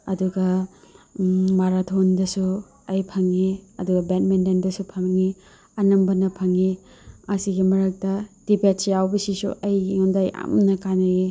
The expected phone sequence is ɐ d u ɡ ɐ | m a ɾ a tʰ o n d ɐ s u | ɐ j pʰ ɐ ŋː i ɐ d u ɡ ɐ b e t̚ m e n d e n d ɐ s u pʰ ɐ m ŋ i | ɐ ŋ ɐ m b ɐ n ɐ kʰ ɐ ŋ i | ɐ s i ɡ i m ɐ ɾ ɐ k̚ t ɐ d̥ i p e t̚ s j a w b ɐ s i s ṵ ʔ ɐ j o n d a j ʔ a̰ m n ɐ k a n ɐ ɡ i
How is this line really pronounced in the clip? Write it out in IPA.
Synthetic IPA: ɐ d u ɡ ɐ | m a ɾ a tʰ o n d ɐ s u | ɐ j pʰ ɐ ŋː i ɐ d u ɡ ɐ b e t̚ m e n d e n d ɐ s u pʰ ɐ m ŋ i | ɐ n ɐ m b ɐ n ɐ pʰ ɐ ŋ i | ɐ s i ɡ i m ɐ ɾ ɐ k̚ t ɐ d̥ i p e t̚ s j a w b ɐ s i s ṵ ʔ ɐ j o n d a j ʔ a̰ m n ɐ k a n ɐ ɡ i